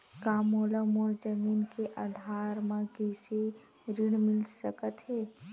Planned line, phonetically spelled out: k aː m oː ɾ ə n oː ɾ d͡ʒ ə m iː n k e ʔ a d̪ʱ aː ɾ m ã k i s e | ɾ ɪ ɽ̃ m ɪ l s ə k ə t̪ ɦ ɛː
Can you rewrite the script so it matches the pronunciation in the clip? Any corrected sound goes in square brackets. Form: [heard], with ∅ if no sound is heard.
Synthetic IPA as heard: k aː m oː [l] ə [m] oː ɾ d͡ʒ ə m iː n k e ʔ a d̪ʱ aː ɾ m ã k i s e | ɾ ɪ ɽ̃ m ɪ l s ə k ə t̪ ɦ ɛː

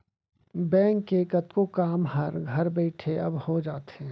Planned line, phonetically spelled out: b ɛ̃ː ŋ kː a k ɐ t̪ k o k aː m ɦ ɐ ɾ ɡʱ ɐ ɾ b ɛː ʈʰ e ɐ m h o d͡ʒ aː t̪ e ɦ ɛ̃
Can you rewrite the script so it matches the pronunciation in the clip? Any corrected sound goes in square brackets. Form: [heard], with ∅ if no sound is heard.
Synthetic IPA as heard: b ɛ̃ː ŋ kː [e] k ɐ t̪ k o k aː m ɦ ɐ ɾ ɡʱ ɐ ɾ b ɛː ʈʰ e ɐ [b] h o d͡ʒ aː t̪ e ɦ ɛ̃

